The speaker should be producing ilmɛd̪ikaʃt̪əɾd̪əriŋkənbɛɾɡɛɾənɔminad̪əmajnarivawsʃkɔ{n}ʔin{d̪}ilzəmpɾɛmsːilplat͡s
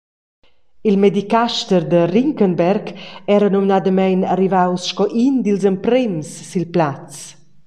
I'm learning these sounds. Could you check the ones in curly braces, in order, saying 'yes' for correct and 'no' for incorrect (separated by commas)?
no, yes